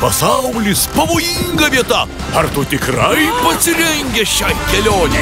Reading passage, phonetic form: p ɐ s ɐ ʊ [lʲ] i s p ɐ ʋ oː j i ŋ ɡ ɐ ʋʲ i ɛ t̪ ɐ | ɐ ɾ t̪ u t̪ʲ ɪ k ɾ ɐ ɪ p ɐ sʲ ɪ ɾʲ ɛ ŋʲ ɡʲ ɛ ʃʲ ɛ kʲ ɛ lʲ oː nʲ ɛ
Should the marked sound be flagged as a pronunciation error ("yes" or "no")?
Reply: no